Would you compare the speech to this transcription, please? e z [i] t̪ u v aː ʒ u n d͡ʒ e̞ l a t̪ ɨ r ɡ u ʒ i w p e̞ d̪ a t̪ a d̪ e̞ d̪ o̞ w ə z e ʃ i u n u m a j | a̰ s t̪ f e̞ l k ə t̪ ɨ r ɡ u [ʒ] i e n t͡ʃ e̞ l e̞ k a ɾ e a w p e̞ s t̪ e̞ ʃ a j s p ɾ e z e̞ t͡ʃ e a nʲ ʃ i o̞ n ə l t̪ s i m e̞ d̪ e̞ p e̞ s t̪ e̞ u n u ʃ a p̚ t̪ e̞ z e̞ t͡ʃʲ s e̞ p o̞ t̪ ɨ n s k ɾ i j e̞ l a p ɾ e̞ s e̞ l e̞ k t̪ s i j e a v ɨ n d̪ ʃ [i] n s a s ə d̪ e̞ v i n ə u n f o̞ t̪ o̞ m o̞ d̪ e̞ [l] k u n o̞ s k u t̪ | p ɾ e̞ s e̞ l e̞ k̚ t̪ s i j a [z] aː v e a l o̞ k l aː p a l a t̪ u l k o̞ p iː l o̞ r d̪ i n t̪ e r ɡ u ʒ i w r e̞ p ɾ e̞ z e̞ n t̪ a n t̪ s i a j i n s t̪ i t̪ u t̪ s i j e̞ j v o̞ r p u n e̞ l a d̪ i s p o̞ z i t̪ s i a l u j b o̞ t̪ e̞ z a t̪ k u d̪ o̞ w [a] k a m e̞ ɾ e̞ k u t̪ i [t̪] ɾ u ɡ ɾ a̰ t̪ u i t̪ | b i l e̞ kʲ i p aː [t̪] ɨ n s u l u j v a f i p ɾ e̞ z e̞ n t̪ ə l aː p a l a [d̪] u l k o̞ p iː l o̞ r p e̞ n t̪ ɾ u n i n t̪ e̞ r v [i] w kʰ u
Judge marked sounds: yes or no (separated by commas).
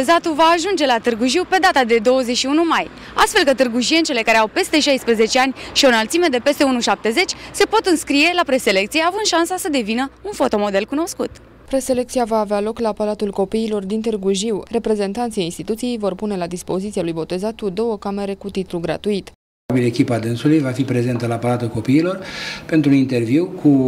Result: no, yes, no, yes, no, no, yes, no, no, yes